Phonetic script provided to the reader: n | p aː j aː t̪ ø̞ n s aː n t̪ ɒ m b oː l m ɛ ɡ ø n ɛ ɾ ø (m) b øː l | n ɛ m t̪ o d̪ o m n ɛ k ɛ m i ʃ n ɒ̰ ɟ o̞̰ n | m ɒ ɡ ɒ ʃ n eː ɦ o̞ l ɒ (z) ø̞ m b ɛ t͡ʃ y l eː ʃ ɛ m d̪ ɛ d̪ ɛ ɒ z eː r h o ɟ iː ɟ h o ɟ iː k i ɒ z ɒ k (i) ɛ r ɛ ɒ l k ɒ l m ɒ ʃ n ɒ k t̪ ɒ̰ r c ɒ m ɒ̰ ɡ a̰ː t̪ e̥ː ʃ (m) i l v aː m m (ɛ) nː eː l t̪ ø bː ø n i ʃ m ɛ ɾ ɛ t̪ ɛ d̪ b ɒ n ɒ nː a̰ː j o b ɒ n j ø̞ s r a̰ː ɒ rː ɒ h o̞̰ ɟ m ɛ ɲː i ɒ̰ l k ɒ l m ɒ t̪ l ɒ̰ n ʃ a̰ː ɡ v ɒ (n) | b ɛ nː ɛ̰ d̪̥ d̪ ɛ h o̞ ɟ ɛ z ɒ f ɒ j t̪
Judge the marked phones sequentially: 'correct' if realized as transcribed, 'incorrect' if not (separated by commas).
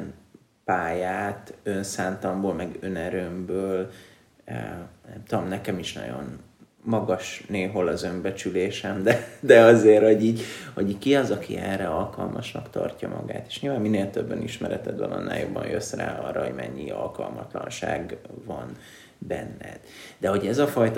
correct, correct, correct, incorrect, incorrect, correct